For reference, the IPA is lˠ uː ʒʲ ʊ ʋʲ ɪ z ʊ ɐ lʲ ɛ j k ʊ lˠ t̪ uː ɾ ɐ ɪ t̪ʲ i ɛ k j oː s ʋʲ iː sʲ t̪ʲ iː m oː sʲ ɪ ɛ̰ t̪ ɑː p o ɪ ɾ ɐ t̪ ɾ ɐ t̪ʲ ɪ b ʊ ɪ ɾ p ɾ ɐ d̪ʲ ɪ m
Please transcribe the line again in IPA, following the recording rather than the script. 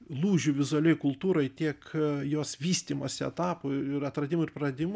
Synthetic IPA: lˠ uː ʒʲ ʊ ʋʲ ɪ z ʊ ɐ lʲ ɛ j k ʊ lˠ t̪ uː ɾ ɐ ɪ t̪ʲ i ɛ k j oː s ʋʲ iː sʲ t̪ʲ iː m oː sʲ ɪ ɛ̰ t̪ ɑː p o ɪ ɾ ɐ t̪ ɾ ɐ d̪ʲ ɪ m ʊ ɪ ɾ p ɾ ɐ d̪ʲ ɪ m